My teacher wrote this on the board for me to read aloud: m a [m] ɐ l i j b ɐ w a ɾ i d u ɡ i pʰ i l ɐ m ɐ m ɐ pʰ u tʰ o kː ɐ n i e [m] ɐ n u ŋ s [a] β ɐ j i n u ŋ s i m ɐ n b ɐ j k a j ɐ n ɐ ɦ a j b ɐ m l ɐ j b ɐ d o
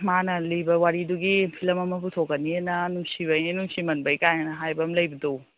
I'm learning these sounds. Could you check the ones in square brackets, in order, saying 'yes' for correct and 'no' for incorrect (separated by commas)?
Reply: no, no, no